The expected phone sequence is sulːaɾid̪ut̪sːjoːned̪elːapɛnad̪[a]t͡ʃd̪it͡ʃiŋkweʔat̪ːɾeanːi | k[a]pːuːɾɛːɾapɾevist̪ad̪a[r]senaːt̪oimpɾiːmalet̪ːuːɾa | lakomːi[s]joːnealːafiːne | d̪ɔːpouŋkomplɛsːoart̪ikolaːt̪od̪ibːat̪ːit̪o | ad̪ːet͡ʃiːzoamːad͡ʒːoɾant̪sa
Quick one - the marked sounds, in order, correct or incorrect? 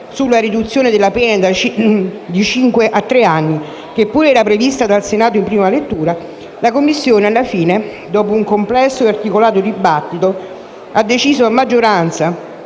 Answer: correct, incorrect, incorrect, incorrect

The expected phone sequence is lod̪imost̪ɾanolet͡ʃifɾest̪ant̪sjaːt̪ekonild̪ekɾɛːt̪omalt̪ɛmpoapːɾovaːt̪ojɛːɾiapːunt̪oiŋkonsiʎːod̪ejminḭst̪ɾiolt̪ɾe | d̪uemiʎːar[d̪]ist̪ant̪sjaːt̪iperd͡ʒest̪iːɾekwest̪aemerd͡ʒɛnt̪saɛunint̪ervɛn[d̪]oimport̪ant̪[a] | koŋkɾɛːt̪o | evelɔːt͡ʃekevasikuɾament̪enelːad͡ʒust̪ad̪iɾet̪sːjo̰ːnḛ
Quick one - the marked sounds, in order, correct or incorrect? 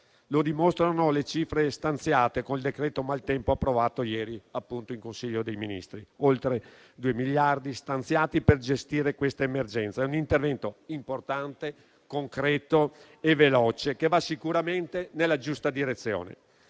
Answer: correct, incorrect, incorrect

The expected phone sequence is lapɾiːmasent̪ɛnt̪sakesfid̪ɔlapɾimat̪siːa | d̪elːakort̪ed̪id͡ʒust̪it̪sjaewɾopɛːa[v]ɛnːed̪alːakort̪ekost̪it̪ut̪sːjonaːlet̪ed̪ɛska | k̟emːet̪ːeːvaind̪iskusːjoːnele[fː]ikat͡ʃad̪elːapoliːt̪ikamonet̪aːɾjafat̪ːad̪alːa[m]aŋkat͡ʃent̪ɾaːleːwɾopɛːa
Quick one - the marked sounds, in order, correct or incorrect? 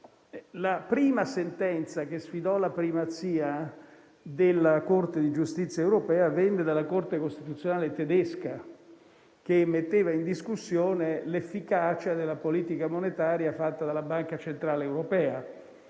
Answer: correct, correct, incorrect

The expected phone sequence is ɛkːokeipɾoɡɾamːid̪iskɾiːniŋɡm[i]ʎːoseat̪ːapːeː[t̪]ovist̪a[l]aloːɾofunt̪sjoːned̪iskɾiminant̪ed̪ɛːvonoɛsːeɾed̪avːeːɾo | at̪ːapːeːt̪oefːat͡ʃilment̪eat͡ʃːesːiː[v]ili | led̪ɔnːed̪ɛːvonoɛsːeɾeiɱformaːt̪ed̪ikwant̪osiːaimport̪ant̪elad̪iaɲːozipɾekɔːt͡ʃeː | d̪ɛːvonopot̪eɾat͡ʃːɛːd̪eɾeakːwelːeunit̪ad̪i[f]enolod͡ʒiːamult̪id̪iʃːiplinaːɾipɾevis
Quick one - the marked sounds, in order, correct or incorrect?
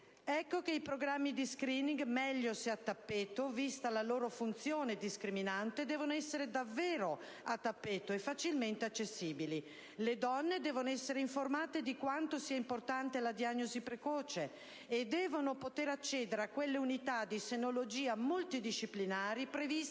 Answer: incorrect, correct, correct, incorrect, incorrect

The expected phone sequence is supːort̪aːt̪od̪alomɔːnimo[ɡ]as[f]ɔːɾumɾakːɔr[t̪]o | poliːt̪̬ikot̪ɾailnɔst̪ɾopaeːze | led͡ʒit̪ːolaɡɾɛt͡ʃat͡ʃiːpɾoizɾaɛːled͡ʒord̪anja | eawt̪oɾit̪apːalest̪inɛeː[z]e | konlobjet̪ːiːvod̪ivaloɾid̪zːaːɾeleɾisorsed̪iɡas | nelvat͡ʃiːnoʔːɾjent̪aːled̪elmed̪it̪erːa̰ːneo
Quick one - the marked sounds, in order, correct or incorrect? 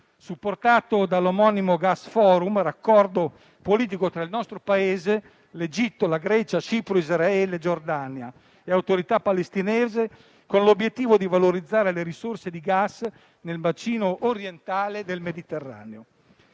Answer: correct, correct, incorrect, correct

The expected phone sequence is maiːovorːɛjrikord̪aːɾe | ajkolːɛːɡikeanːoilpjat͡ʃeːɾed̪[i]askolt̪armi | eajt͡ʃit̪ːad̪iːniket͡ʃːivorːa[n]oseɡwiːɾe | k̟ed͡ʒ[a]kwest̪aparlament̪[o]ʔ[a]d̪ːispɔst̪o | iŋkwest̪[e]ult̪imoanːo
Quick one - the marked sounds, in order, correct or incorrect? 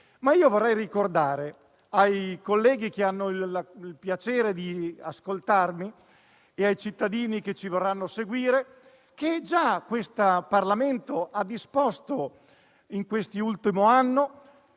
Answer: correct, incorrect, correct, correct, correct, incorrect

